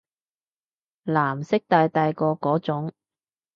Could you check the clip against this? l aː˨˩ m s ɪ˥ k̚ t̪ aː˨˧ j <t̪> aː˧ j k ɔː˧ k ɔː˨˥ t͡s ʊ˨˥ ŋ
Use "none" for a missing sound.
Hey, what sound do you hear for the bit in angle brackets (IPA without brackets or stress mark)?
t̪